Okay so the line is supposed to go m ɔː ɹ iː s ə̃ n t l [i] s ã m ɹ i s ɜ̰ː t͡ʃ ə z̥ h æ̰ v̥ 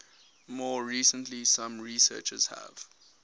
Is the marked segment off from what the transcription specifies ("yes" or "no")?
no